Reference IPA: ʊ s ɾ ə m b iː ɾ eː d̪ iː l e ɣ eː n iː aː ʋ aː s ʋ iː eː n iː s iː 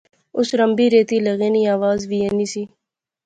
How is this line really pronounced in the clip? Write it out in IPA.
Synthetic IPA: ʊ s ɾ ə m b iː ɾ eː t̪ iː l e ɣ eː n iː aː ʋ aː z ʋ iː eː n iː s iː